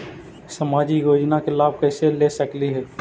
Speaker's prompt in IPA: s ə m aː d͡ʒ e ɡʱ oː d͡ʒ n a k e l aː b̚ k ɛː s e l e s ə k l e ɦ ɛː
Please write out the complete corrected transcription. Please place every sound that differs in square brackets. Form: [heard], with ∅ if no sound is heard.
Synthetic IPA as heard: s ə m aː d͡ʒ [i] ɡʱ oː d͡ʒ n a k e l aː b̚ k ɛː s e l e s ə k l [i] ɦ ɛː